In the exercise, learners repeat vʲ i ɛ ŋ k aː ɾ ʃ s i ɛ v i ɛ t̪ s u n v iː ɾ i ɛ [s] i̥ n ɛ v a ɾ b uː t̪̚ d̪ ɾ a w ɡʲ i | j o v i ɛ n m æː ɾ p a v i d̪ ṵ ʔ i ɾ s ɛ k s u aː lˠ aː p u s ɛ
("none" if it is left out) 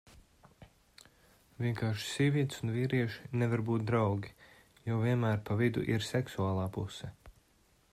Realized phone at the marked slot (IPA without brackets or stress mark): ʃ